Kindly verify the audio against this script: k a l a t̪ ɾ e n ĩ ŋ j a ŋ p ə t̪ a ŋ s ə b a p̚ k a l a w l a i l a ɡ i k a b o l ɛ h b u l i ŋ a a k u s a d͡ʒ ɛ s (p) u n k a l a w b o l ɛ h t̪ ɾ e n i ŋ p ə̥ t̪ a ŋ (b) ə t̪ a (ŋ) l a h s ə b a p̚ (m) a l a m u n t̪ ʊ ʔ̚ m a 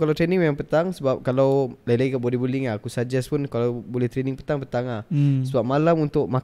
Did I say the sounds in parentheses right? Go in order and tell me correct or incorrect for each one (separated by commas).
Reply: correct, incorrect, correct, correct